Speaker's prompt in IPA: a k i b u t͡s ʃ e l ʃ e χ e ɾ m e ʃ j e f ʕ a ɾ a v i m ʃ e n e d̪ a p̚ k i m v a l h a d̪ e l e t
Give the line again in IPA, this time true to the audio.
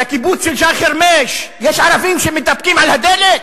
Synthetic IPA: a k i b u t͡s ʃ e l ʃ a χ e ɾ m e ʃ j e ʃ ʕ a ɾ a v i m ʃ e m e t̪ a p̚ k i m ʕ a l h a d̪ e l e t